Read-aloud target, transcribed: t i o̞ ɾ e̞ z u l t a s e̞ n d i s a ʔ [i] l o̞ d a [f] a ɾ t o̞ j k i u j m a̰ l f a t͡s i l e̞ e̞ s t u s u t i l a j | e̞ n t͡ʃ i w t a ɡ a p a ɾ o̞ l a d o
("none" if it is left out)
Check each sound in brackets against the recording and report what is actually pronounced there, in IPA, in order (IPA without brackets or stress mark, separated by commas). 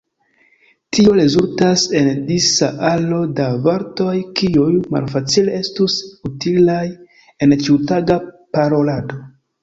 a, v